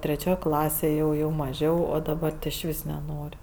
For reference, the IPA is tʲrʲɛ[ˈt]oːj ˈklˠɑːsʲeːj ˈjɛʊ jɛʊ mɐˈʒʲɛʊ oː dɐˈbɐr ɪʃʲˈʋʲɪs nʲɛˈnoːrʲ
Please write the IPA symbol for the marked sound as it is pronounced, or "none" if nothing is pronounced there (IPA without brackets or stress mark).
t͡ʃʲ